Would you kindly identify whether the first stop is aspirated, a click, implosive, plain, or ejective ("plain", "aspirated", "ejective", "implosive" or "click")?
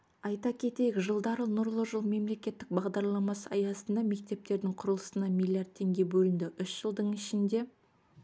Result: plain